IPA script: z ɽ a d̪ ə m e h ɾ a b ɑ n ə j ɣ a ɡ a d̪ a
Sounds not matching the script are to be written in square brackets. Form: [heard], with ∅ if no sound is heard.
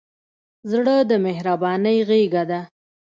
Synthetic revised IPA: z ɽ [ə] d̪ ə m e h ɾ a b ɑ n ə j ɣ [e] ɡ a d̪ a

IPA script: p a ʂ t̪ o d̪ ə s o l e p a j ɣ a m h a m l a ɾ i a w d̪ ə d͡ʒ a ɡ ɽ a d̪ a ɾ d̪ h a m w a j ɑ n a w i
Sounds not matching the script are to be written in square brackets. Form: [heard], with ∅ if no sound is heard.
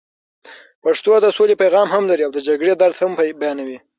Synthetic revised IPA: p a ʂ t̪ o d̪ ə s o l e p a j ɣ [ɑ] m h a m l a ɾ i a w d̪ ə d͡ʒ a ɡ ɽ [e] d̪ a ɾ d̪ h a m [b] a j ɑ n a w i

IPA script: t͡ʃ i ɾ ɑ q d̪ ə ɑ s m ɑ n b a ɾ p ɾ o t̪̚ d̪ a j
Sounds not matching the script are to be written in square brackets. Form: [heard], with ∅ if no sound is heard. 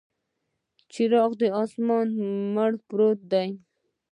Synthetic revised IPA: t͡ʃ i ɾ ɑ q d̪ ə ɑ s m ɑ n [m] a [ɽ] p ɾ o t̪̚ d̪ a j

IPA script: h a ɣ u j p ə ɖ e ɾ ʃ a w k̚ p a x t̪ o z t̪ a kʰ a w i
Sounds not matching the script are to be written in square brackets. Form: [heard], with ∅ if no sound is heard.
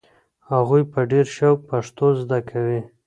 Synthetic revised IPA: h a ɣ u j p ə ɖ e ɾ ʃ a w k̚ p a [ʂ] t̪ o z [d̪] a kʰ a w i

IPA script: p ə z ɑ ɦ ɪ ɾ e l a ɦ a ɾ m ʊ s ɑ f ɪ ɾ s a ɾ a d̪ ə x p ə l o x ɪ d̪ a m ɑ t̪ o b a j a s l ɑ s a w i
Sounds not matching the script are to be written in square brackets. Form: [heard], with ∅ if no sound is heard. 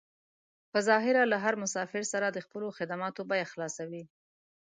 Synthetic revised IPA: p ə z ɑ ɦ ɪ ɾ [a] l a ɦ a ɾ m ʊ s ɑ f ɪ ɾ s a ɾ a d̪ ə x p ə l o x ɪ d̪ a m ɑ t̪ o b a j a [x] l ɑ s a w i

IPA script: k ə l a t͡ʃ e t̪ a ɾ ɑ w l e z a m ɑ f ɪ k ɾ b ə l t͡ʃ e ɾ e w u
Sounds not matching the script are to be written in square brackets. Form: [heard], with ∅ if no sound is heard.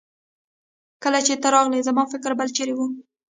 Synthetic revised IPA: k ə l a t͡ʃ e t̪ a ɾ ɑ [ɣ] l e z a m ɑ f ɪ k ɾ b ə l t͡ʃ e ɾ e w u

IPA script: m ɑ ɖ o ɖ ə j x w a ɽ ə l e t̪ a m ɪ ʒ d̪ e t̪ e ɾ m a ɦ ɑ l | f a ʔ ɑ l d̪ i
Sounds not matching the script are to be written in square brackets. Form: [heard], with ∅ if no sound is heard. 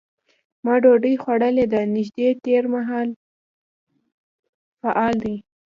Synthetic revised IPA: m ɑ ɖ o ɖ ə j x w a ɽ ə l e [d̪] a [n] ɪ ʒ d̪ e t̪ e ɾ m a ɦ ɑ l | f a ʔ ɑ l d̪ i

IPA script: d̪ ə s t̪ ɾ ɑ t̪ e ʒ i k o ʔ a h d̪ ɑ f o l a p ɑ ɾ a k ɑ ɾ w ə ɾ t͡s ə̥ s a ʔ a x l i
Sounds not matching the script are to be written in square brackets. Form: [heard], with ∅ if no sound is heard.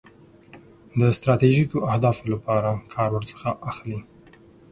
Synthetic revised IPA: d̪ ə s t̪ ɾ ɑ t̪ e ʒ i k o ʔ a h d̪ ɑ f o l a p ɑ ɾ a [kʰ] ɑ ɾ w ə ɾ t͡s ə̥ [x] a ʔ a x l i

